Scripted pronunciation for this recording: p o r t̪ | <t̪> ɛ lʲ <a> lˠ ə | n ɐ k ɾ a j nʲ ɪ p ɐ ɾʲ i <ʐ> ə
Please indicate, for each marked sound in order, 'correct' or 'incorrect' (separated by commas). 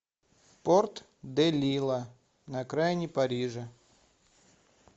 incorrect, incorrect, correct